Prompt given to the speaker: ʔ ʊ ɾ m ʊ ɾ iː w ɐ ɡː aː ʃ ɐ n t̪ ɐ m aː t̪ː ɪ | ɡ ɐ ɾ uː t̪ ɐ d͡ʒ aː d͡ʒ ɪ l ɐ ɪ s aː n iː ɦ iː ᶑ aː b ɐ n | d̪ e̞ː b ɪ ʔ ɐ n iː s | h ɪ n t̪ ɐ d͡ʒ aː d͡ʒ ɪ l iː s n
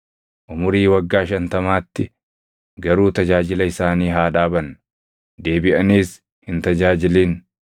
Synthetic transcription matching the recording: ʔ ʊ m ʊ ɾ iː w ɐ ɡː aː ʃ ɐ n t̪ ɐ m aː t̪ː ɪ | ɡ ɐ ɾ uː t̪ ɐ d͡ʒ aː d͡ʒ ɪ l ɐ ɪ s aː n iː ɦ aː ᶑ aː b ɐ n | d̪ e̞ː b ɪ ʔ ɐ n iː s | h ɪ n t̪ ɐ d͡ʒ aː d͡ʒ ɪ l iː n